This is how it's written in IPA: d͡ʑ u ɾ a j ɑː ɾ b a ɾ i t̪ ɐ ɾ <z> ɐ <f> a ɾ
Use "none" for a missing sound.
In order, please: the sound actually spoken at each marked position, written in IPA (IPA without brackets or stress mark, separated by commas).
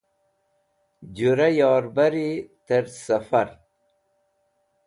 s, f